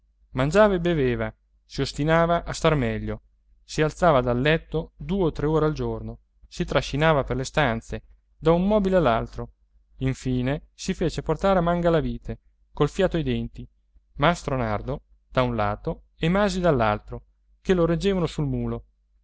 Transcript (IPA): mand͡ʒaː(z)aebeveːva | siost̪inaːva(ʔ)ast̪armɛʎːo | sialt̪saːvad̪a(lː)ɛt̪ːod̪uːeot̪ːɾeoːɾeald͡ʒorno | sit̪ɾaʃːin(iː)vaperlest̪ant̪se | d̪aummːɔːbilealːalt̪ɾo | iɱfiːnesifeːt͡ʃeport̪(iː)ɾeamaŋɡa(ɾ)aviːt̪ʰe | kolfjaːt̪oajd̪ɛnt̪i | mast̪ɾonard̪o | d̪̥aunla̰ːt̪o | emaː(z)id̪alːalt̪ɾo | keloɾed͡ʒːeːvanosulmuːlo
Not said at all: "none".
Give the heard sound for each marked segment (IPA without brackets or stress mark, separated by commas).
v, ʔ, lː, aː, aː, l, z